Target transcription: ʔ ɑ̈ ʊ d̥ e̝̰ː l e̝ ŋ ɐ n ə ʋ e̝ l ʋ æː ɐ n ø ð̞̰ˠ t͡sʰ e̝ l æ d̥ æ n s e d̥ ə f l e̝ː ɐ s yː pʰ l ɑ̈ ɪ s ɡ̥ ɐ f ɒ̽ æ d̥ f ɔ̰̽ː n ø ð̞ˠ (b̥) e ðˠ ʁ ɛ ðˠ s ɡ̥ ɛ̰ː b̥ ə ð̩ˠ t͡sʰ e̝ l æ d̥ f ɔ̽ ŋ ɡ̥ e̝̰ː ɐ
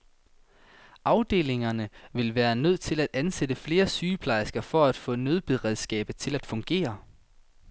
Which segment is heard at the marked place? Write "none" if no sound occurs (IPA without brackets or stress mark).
b̥